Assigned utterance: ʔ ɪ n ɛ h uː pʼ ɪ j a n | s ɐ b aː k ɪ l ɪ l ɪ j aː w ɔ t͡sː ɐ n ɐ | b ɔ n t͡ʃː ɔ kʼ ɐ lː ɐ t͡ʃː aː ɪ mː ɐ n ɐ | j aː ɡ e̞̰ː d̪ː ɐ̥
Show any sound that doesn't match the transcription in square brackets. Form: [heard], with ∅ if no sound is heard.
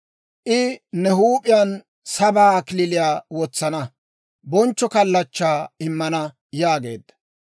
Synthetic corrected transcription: ʔ ɪ n ɛ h uː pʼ ɪ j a n | s ɐ b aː k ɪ l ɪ l ɪ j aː w ɔ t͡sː ɐ n ɐ | b ɔ n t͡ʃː ɔ [k] ɐ lː ɐ t͡ʃː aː ɪ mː ɐ n ɐ | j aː ɡ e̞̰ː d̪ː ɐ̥